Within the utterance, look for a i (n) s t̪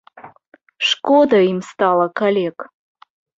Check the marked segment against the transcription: incorrect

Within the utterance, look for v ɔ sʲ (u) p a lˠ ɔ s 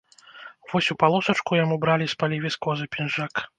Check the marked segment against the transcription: correct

